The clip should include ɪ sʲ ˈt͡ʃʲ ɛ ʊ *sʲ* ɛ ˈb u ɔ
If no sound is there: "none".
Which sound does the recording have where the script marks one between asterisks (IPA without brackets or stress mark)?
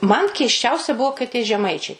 sʲ